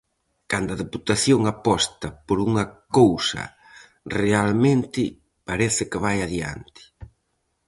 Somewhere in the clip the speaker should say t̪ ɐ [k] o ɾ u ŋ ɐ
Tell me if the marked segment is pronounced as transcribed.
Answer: no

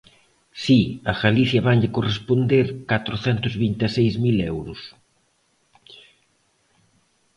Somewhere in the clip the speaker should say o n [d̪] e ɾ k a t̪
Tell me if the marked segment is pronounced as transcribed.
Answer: yes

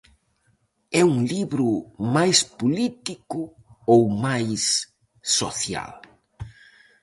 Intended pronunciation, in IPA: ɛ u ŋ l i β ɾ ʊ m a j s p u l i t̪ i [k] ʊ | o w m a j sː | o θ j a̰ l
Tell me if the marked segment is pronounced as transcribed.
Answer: yes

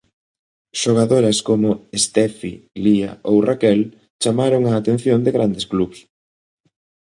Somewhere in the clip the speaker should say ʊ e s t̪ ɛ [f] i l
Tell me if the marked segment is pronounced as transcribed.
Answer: yes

